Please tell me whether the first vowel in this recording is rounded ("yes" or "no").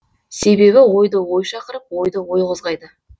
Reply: no